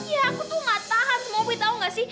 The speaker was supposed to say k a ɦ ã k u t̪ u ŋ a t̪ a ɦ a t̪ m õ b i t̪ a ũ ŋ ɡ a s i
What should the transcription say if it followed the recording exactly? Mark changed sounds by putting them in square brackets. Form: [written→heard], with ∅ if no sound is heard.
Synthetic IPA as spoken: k [a→i] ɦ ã k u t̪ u [ŋ→m] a t̪ a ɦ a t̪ m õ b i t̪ a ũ ŋ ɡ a s i